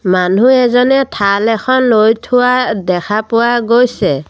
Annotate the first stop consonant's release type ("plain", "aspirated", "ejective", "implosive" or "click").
aspirated